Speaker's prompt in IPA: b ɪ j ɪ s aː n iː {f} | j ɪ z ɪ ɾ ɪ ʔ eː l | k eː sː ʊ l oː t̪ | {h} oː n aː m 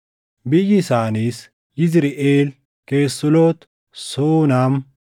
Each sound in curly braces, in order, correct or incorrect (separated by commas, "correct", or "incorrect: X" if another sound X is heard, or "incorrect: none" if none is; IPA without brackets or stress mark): incorrect: s, incorrect: s